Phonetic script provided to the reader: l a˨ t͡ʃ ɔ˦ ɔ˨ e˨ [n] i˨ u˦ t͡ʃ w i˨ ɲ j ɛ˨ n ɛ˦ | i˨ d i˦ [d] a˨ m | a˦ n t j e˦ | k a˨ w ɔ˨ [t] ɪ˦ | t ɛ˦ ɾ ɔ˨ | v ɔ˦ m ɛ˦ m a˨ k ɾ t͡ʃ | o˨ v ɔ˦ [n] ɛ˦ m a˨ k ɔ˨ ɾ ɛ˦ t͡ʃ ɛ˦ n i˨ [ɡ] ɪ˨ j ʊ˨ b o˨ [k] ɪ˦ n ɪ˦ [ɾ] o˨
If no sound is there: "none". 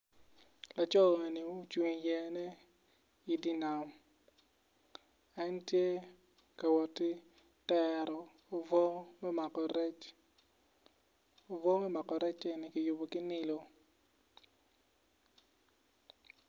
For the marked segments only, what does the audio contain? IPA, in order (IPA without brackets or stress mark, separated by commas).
n, n, t, m, k, k, l